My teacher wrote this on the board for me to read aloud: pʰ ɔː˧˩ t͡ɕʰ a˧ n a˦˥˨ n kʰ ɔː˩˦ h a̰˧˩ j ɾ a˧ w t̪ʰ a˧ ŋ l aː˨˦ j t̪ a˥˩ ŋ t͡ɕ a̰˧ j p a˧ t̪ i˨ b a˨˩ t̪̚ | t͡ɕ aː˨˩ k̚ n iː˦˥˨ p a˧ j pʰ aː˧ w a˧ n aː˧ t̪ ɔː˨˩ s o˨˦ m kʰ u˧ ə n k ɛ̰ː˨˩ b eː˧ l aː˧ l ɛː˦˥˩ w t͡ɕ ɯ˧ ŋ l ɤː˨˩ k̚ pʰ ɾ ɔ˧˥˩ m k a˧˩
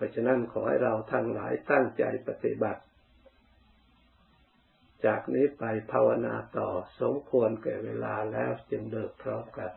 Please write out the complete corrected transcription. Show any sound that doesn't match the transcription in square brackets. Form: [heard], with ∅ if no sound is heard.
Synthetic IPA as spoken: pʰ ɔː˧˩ t͡ɕʰ a˧ n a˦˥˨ n kʰ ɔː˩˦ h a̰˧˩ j ɾ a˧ w t̪ʰ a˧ ŋ l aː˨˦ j t̪ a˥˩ ŋ t͡ɕ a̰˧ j p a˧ t̪ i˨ b a˨˩ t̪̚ | t͡ɕ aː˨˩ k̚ n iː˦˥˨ p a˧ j pʰ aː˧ w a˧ n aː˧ t̪ ɔː˨˩ s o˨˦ m kʰ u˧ ə n k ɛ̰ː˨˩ [w] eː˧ l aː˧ l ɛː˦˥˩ w t͡ɕ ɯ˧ ŋ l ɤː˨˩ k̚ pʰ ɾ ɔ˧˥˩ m k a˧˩